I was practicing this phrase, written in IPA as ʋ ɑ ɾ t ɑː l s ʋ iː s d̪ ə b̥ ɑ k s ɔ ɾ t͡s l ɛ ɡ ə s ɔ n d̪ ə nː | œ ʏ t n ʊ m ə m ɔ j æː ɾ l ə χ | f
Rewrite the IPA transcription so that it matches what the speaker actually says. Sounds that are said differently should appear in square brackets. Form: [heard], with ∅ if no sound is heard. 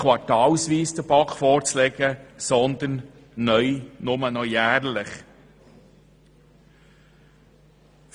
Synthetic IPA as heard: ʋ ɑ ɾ t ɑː l s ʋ iː s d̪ ə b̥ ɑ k [f] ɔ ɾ t͡s l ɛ ɡ ə s ɔ n d̪ ə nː | œ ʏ [∅] n ʊ m ə [n] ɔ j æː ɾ l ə χ | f